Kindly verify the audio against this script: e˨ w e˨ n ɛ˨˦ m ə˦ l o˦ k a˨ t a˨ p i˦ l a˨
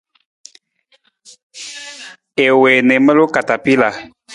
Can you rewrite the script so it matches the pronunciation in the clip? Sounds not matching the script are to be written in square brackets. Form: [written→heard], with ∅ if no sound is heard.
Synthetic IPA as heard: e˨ w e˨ n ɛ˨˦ m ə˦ l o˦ k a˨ t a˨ p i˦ l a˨